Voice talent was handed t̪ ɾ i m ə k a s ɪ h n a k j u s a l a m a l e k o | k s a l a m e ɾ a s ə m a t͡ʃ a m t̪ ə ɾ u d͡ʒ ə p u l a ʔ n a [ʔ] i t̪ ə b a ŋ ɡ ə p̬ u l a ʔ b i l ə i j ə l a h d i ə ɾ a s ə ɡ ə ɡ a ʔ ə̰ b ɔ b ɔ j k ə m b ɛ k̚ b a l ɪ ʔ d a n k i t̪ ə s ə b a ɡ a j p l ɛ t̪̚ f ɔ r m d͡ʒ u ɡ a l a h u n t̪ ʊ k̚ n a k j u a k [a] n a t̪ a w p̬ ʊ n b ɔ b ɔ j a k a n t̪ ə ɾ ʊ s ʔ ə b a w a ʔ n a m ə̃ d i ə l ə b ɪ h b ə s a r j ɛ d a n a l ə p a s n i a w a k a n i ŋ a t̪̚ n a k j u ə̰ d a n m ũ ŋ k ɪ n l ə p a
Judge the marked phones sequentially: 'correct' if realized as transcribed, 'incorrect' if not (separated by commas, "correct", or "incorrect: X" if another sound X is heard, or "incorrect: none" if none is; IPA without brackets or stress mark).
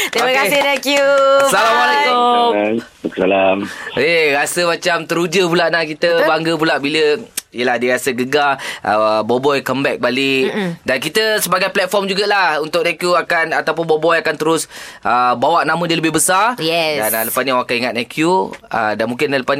incorrect: k, correct